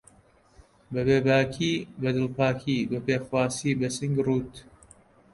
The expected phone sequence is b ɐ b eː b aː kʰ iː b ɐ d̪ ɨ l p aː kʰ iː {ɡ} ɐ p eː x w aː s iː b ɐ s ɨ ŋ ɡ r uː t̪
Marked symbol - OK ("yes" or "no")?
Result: no